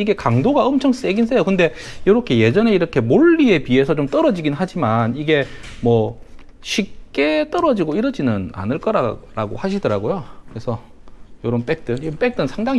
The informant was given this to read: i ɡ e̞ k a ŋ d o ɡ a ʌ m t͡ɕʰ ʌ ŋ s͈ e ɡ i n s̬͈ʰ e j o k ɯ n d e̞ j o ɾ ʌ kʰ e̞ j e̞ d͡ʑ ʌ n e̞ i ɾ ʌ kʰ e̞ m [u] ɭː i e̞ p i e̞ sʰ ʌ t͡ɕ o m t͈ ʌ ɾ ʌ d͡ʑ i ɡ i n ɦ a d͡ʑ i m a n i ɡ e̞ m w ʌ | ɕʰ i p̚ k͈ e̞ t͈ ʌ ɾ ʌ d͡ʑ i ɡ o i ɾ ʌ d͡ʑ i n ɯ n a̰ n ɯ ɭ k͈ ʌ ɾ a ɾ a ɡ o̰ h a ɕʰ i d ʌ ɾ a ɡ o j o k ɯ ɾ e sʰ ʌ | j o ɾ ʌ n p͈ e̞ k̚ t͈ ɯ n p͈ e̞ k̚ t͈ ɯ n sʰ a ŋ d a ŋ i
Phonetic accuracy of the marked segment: incorrect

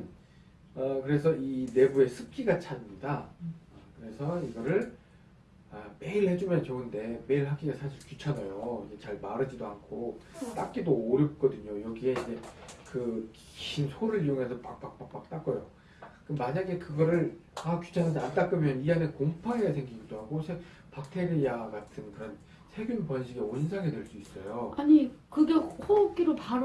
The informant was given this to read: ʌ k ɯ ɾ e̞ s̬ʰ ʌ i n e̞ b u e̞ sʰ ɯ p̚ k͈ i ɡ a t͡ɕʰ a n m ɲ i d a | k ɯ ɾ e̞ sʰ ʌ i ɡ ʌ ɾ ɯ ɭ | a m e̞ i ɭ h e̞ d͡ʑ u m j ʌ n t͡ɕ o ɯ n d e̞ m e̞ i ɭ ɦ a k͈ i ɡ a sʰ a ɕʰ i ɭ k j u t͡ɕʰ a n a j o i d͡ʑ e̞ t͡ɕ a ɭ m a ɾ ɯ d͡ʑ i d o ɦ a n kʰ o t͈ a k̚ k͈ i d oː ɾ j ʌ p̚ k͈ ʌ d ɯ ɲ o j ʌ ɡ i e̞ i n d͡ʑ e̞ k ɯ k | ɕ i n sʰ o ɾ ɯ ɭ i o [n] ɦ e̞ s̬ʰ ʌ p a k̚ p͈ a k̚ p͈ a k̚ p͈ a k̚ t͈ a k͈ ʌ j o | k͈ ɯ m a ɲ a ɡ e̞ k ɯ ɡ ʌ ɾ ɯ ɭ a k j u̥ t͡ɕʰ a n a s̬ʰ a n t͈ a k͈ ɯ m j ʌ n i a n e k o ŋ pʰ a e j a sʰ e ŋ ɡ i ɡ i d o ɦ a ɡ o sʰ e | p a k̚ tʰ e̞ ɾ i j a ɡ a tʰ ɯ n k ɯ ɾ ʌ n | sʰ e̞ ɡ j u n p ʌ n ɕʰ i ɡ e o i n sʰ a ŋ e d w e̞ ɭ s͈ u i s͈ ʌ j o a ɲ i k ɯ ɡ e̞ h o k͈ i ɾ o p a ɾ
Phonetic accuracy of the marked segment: incorrect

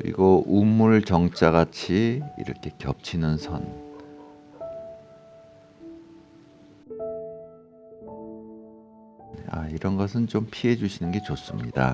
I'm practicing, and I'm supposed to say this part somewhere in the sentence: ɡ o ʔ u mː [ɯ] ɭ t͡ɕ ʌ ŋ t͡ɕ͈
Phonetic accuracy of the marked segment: incorrect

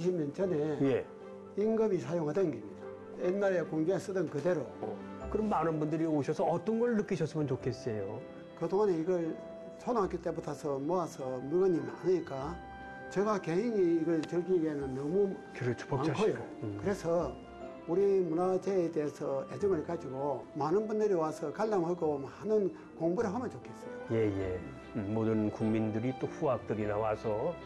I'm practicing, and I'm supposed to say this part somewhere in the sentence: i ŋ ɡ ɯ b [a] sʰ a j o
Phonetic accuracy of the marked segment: incorrect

